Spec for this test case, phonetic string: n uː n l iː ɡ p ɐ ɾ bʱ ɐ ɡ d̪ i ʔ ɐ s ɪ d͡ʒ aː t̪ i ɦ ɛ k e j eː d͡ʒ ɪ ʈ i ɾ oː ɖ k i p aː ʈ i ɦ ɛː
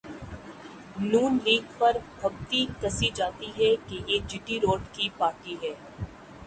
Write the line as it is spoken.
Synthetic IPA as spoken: n uː n l iː ɡ p ɐ ɾ bʱ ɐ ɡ t̪ i k ɐ s i d͡ʒ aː t̪ i ɦ ɛ k e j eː d͡ʒ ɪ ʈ i ɾ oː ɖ k i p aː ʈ i ɦ ɛː